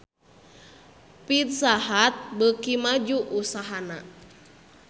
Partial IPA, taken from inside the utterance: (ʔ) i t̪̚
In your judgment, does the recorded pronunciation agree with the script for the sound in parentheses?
no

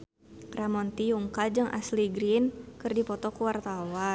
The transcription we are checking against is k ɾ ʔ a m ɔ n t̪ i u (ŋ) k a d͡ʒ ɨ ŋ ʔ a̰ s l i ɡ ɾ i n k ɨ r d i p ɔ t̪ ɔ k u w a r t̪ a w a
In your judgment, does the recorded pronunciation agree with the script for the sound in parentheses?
yes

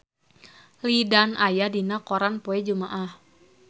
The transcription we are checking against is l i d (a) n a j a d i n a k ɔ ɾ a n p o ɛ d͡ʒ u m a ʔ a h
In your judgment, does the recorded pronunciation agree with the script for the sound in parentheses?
yes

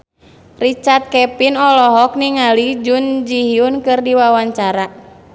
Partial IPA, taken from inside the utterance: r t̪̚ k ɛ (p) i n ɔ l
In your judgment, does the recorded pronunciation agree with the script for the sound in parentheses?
yes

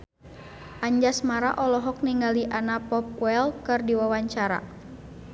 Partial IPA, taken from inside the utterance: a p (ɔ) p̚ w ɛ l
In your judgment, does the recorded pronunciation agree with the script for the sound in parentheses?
yes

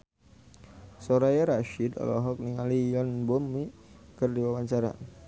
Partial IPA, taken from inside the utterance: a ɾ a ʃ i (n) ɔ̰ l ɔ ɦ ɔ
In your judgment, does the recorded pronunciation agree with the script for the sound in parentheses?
no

